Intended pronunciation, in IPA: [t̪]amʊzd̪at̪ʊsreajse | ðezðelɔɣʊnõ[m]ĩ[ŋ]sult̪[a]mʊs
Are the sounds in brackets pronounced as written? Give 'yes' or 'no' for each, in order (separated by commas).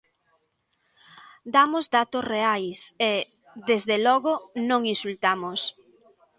no, no, no, yes